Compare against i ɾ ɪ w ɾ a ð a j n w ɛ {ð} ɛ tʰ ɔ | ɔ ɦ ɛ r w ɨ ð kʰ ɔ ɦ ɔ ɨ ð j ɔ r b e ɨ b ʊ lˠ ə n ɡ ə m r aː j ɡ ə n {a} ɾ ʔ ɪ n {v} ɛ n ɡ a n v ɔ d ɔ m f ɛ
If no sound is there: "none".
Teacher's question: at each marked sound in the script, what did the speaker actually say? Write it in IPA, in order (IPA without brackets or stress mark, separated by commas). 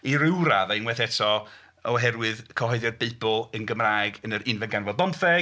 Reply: θ, ə, v